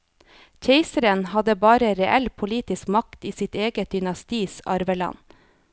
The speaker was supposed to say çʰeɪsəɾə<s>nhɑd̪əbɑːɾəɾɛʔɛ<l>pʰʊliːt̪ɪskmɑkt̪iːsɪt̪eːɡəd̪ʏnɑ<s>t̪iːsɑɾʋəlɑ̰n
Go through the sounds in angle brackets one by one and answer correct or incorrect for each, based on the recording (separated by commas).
incorrect, correct, correct